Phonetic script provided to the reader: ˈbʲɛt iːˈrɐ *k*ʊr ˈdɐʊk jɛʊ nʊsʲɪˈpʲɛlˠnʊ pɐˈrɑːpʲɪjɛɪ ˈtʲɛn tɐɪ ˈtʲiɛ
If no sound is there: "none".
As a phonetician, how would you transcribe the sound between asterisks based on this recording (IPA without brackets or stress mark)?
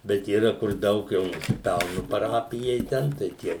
k